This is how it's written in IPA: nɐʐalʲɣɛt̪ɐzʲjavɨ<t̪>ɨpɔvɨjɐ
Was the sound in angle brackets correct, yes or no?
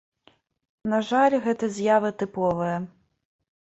yes